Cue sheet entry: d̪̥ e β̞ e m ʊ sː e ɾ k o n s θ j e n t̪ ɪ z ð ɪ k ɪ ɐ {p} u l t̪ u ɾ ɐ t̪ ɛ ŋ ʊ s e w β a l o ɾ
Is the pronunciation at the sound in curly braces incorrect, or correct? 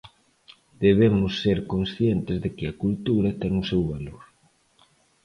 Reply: incorrect